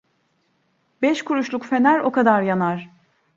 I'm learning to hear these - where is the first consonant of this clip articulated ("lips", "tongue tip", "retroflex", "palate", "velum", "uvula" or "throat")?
lips